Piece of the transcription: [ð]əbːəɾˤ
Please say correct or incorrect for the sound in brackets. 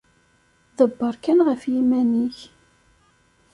correct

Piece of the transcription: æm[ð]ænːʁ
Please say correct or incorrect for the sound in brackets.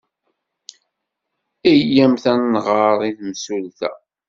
incorrect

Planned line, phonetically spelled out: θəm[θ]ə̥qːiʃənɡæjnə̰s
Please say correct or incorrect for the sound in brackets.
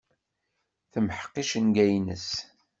incorrect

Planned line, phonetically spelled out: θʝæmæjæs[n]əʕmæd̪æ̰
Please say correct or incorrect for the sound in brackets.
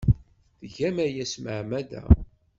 incorrect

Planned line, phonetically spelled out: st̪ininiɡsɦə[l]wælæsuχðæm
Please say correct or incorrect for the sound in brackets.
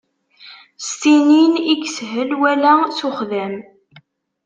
correct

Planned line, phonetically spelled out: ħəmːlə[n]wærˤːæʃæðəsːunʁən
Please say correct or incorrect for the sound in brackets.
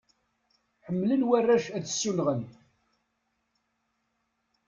correct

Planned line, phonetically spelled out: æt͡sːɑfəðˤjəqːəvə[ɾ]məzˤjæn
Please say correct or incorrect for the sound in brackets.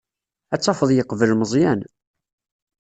incorrect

